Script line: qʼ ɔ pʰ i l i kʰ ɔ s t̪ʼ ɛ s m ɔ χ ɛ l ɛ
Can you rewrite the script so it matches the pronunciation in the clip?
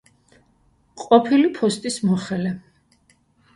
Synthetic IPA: qʼ ɔ pʰ i l i pʰ ɔ s t̪ʼ i s m ɔ χ ɛ l ɛ

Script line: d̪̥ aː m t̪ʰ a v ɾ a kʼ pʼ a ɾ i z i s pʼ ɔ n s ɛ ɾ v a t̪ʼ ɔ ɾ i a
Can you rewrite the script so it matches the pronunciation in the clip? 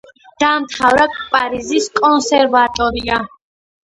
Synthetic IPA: d̪̥ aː m t̪ʰ a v ɾ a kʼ pʼ a ɾ i z i s kʼ ɔ n s ɛ ɾ v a t̪ʼ ɔ ɾ i a

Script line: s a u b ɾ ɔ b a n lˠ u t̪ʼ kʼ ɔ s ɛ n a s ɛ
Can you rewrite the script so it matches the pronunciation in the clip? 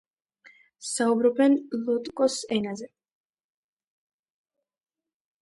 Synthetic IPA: s a u b ɾ ɔ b ɛ n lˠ u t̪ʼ kʼ ɔ s ɛ n a z ɛ

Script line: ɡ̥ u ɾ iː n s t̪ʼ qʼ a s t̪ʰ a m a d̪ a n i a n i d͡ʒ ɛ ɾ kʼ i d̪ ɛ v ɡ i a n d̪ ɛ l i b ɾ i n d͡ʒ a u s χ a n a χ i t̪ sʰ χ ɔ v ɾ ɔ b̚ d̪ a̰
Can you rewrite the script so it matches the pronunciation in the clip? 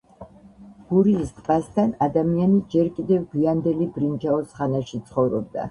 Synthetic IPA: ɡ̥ u ɾ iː s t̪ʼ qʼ a s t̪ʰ a n a d̪ a m i a n i d͡ʒ ɛ ɾ kʼ i d̪ ɛ v ɡ i a n d̪ ɛ l i b ɾ i n d͡ʒ a ɔ s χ a n a ʃ i t̪ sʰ χ ɔ v ɾ ɔ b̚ d̪ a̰

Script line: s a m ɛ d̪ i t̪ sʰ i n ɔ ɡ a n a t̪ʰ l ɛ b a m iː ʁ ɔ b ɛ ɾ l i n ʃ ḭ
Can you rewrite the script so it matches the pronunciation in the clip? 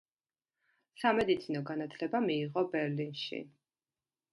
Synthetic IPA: s a m ɛ d̪ i t̪ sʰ i n ɔ ɡ a n a t̪ʰ l ɛ b a m iː ʁ ɔ b ɛ ɾ l i n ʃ ḭ

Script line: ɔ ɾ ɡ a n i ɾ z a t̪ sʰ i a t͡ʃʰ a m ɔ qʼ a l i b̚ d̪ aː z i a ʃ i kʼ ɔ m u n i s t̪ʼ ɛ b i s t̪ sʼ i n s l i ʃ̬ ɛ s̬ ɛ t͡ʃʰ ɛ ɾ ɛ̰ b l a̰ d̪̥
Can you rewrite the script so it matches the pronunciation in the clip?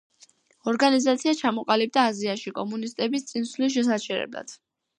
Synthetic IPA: ɔ ɾ ɡ a n i z a t̪ sʰ i a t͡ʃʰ a m ɔ qʼ a l i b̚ d̪ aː z i a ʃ i kʼ ɔ m u n i s t̪ʼ ɛ b i s t̪ sʼ i n s l i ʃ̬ ɛ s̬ a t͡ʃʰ ɛ ɾ ɛ̰ b l a̰ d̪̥

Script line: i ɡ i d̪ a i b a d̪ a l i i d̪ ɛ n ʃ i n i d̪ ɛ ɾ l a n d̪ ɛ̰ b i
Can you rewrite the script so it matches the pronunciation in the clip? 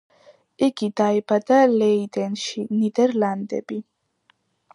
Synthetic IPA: i ɡ i d̪ a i b a d̪ a l ɛ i d̪ ɛ n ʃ i n i d̪ ɛ ɾ l a n d̪ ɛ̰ b i

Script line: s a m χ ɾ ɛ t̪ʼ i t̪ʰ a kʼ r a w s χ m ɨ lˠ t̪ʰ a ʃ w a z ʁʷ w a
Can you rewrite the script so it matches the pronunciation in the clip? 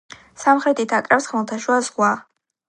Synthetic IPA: s a m χ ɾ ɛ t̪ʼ i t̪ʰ a kʼ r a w s χ m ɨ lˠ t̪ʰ a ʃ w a z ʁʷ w a

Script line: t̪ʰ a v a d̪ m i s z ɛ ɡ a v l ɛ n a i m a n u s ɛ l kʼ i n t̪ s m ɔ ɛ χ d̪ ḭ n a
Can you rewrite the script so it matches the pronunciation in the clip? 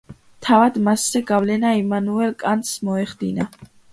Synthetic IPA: t̪ʰ a v a d̪ m a s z ɛ ɡ a v l ɛ n a i m a n u ɛ l kʼ a n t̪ s m ɔ ɛ χ d̪ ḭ n a

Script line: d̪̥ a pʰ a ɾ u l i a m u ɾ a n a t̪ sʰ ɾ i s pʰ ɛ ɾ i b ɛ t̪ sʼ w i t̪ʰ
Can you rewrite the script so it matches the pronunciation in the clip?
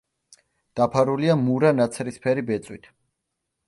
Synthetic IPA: d̪̥ a pʰ a ɾ u l i a m u ɾ a n a t̪ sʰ ɾ i s pʰ ɛ ɾ i b ɛ t̪ sʼ w i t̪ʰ

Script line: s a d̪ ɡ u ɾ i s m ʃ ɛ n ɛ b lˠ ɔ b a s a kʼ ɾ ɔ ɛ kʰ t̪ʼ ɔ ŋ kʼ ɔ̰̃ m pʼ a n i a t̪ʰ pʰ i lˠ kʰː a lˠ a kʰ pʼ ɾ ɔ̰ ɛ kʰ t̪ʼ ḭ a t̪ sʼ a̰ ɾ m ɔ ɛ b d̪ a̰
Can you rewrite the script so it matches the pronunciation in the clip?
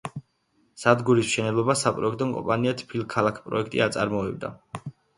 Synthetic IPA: s a d̪ ɡ u ɾ i s m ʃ ɛ n ɛ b lˠ ɔ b a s a pʼ ɾ ɔ ɛ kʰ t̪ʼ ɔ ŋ kʼ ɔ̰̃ m pʼ a n i a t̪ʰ pʰ i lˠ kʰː a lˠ a kʰ pʼ ɾ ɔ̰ ɛ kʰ t̪ʼ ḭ a t̪ sʼ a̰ ɾ m ɔ ɛ b d̪ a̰

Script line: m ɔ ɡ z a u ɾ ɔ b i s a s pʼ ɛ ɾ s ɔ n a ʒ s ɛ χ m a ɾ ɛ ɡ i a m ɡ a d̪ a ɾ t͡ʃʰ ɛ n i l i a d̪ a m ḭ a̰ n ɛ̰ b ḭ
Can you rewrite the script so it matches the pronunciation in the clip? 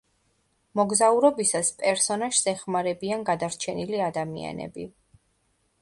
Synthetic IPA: m ɔ ɡ z a u ɾ ɔ b i s a s pʼ ɛ ɾ s ɔ n a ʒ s ɛ χ m a ɾ ɛ b i a n ɡ a d̪ a ɾ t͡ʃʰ ɛ n i l i a d̪ a m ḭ a̰ n ɛ̰ b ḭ

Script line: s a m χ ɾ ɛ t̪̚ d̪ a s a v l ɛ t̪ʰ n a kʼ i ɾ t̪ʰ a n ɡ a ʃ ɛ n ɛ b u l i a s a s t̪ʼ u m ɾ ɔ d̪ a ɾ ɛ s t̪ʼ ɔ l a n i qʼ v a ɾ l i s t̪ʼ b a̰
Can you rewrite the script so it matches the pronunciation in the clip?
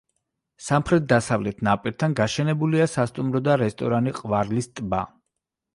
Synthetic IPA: s a m χ ɾ ɛ t̪̚ d̪ a s a v l ɛ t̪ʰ n a pʼ i ɾ t̪ʰ a n ɡ a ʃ ɛ n ɛ b u l i a s a s t̪ʼ u m ɾ ɔ d̪ a ɾ ɛ s t̪ʼ ɔ ɾ a n i qʼ v a ɾ l i s t̪ʼ b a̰

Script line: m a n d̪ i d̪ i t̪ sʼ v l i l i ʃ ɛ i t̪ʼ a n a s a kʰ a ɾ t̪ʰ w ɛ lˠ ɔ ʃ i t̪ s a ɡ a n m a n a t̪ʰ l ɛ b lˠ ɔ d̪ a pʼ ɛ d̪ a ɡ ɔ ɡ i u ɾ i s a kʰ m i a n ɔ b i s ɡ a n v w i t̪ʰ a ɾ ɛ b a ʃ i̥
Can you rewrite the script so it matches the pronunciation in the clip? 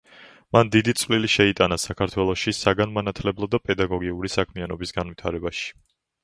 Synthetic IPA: m a n d̪ i d̪ i t̪ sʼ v l i l i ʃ ɛ i t̪ʼ a n a s a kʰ a ɾ t̪ʰ w ɛ lˠ ɔ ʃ i s a ɡ a n m a n a t̪ʰ l ɛ b lˠ ɔ d̪ a pʼ ɛ d̪ a ɡ ɔ ɡ i u ɾ i s a kʰ m i a n ɔ b i s ɡ a n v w i t̪ʰ a ɾ ɛ b a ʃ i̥

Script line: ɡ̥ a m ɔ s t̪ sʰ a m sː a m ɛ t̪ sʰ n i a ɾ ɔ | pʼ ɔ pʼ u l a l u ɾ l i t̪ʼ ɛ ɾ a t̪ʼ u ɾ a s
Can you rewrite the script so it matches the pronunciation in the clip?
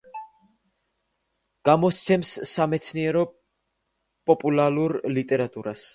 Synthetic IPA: ɡ̥ a m ɔ s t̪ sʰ ɛ m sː a m ɛ t̪ sʰ n i ɛ ɾ ɔ | pʼ ɔ pʼ u l a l u ɾ l i t̪ʼ ɛ ɾ a t̪ʼ u ɾ a s

